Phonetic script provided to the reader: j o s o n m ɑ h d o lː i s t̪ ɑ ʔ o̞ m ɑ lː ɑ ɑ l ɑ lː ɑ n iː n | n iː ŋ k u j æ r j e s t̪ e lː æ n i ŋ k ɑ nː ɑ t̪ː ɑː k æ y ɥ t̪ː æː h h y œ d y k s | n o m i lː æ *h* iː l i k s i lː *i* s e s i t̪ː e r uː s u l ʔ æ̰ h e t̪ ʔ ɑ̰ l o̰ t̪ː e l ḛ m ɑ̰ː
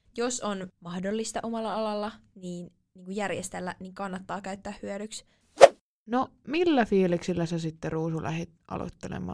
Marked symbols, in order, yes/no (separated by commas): no, no